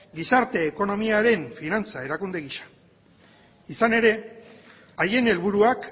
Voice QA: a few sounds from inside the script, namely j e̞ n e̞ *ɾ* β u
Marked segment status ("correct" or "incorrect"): incorrect